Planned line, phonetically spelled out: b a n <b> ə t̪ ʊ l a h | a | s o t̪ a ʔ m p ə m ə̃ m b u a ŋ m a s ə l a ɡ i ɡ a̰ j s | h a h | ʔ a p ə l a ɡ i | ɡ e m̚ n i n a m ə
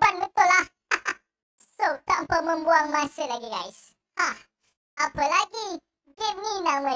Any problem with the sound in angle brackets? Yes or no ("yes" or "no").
no